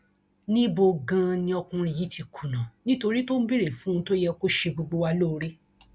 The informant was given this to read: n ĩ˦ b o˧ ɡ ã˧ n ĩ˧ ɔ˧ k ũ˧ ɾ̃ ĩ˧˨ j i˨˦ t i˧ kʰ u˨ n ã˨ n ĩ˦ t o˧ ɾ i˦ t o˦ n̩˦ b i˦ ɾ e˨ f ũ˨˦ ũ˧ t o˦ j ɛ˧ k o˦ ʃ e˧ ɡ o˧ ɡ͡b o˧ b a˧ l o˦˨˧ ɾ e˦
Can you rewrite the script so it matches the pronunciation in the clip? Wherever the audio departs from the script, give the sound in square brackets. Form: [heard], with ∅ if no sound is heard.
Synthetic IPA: n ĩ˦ b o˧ ɡ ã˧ n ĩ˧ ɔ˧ k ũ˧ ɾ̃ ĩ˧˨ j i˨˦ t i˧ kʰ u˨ n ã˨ n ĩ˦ t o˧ ɾ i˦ t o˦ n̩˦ b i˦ ɾ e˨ f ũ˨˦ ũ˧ t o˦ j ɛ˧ k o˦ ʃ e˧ [ɡ͡b] o˧ ɡ͡b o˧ [w] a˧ l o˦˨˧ ɾ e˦